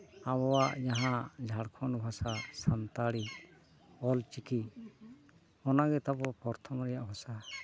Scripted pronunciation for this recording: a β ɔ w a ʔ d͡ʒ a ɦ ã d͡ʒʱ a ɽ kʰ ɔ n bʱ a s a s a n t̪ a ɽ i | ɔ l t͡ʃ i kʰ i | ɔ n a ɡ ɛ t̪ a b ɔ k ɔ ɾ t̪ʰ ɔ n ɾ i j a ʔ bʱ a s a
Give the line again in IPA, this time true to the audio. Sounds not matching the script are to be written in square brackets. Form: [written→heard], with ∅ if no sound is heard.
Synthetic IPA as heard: a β ɔ w a ʔ d͡ʒ a ɦ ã d͡ʒʱ a ɽ kʰ ɔ n bʱ a s a s a n t̪ a ɽ i | ɔ l t͡ʃ i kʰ i | ɔ n a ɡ ɛ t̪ a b ɔ [k→p] ɔ ɾ t̪ʰ ɔ [n→m] ɾ [i→ɛ] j a ʔ bʱ a s a

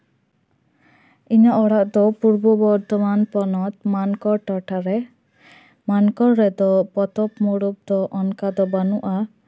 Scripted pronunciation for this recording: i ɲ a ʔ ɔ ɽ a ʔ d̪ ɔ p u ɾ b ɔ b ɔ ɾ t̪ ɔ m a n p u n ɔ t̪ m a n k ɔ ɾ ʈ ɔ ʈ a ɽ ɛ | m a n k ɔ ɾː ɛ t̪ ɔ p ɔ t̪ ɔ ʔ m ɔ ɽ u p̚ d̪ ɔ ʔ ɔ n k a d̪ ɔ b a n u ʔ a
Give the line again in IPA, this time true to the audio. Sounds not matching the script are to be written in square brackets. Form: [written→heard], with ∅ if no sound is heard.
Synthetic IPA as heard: i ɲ a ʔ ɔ ɽ a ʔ d̪ ɔ p u ɾ b ɔ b ɔ ɾ t̪ ɔ m a n p [u→ɔ] n ɔ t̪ m a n k ɔ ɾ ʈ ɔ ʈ a [ɽ→ɾ] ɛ | m a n k ɔ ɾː ɛ [t̪→d̪] ɔ p ɔ t̪ ɔ [ʔ→p] m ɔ ɽ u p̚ d̪ ɔ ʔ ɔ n k a d̪ ɔ b a n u ʔ a

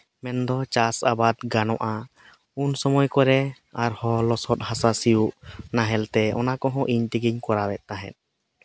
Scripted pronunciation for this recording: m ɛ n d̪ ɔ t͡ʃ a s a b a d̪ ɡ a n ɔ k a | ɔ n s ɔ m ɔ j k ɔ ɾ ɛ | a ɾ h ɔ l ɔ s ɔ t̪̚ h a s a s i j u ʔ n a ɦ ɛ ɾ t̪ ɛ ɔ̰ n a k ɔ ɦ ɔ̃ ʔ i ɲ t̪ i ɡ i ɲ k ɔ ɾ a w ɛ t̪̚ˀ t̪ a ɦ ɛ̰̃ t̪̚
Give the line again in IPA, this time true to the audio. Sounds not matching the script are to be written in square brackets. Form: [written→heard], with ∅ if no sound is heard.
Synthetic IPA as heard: m ɛ n d̪ ɔ t͡ʃ a s a b a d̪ ɡ a n ɔ [k→ʔ] a | [ɔ→u] n s ɔ m ɔ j k ɔ ɾ ɛ | a ɾ h ɔ l ɔ s ɔ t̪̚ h a s a s i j u ʔ n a ɦ ɛ [ɾ→l] t̪ ɛ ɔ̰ n a k ɔ ɦ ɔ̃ ʔ i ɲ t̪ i ɡ i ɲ k ɔ ɾ a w ɛ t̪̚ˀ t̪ a ɦ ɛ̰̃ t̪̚

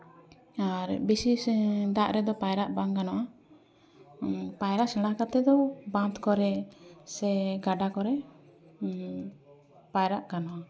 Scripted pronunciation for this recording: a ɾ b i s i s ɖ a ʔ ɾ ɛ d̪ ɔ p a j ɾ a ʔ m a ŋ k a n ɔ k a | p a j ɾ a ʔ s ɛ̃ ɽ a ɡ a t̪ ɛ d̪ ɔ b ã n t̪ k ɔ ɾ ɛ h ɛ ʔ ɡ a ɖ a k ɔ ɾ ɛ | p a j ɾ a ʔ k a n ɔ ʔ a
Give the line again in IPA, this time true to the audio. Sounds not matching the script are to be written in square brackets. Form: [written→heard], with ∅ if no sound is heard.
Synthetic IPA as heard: a ɾ b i s i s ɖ a ʔ ɾ ɛ d̪ ɔ p a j ɾ a ʔ [m→b] a ŋ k a n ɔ [k→ʔ] a | p a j ɾ a ʔ s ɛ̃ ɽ a [ɡ→k] a t̪ ɛ d̪ ɔ b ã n t̪ k ɔ ɾ ɛ [h→s] ɛ [ʔ→∅] ɡ a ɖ a k ɔ ɾ ɛ | p a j ɾ a ʔ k a n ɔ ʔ a

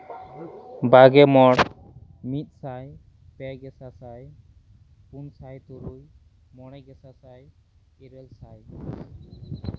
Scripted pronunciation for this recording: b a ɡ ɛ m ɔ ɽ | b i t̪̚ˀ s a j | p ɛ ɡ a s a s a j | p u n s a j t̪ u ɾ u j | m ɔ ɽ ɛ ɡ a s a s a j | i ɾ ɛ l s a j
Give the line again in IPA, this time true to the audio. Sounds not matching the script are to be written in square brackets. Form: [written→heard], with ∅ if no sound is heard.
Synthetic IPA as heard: b a ɡ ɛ m ɔ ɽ | [b→m] i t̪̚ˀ s a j | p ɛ ɡ [a→ɛ] s a s a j | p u n s a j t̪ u ɾ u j | m ɔ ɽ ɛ ɡ [a→ɛ] s a s a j | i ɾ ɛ l s a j

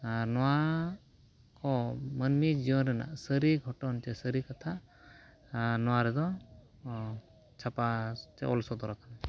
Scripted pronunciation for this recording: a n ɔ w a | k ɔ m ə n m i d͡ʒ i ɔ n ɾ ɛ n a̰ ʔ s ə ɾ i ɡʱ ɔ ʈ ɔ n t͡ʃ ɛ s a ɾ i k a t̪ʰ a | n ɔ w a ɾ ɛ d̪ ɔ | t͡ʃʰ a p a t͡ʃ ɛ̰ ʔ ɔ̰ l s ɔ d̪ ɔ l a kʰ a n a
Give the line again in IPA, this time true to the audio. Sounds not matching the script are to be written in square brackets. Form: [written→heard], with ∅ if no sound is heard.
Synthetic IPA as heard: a n ɔ w a | k ɔ m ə n m i d͡ʒ i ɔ n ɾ ɛ n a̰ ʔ s ə ɾ i ɡʱ ɔ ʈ ɔ n t͡ʃ ɛ s [a→ə] ɾ i k a t̪ʰ a | n ɔ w a ɾ ɛ d̪ ɔ | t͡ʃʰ a p a t͡ʃ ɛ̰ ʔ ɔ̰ l s ɔ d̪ ɔ [l→ɾ] a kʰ a n a

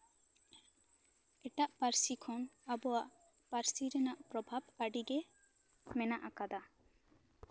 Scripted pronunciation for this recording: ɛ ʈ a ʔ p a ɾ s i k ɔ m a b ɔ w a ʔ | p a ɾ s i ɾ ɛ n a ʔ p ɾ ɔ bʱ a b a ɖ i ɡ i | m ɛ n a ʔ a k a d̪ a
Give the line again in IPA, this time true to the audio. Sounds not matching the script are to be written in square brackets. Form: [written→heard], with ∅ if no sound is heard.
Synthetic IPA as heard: ɛ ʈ a ʔ p a ɾ s i [k→kʰ] ɔ [m→n] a b ɔ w a ʔ | p a ɾ s i ɾ ɛ n a ʔ p ɾ ɔ bʱ a b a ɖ i ɡ [i→ɛ] | m ɛ n a ʔ a k a d̪ a

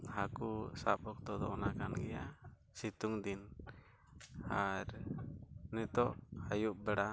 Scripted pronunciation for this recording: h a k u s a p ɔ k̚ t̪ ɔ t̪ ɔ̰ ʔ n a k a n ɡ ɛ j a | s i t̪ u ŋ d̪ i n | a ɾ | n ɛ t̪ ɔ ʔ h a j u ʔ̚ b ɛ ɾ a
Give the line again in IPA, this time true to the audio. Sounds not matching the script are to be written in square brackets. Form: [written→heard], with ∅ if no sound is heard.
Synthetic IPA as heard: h a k u s a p ɔ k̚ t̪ ɔ [t̪→d̪] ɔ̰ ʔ n a k a n ɡ ɛ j a | s i t̪ u ŋ d̪ i n | a ɾ | n ɛ t̪ ɔ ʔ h a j u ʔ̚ b ɛ [ɾ→ɽ] a

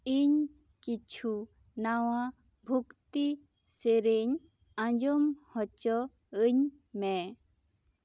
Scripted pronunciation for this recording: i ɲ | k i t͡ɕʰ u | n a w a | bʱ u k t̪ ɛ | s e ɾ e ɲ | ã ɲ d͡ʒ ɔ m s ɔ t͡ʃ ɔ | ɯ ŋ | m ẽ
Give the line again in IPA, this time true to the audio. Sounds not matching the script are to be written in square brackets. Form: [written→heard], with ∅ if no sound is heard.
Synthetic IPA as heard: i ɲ | k i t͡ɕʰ u | n a w a | bʱ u k t̪ [ɛ→i] | s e ɾ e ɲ | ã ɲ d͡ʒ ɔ m [s→h] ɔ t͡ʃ ɔ | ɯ [ŋ→ɲ] | m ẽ

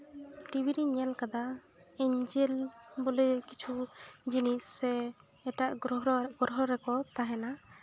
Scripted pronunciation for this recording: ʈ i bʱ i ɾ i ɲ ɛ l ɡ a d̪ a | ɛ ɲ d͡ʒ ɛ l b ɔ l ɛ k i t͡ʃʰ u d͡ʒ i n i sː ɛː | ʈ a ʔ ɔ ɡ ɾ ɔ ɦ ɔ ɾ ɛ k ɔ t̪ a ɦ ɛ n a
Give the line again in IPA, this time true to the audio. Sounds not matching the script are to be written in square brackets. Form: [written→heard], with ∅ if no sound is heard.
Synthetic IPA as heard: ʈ i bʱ i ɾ i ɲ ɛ l [ɡ→k] a d̪ a | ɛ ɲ d͡ʒ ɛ l b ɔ l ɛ k i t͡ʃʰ u d͡ʒ i n i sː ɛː | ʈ a ʔ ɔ ɡ ɾ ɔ ɦ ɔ ɾ ɛ k ɔ t̪ a ɦ ɛ n a

